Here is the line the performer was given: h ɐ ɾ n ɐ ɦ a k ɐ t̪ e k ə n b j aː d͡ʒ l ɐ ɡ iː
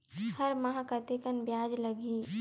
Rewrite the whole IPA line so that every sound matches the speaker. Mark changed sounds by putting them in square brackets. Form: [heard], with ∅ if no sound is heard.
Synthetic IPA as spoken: h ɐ ɾ [m] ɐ ɦ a k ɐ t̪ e k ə n b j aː d͡ʒ l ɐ ɡ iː